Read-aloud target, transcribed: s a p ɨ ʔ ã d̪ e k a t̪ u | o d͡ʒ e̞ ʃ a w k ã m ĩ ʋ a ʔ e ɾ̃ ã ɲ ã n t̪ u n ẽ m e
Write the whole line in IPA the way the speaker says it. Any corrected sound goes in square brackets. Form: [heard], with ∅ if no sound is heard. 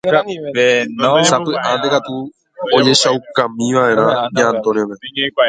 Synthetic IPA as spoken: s a p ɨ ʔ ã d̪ e k a t̪ u | o d͡ʒ e̞ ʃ a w k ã m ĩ ʋ a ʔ e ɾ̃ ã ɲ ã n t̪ [o] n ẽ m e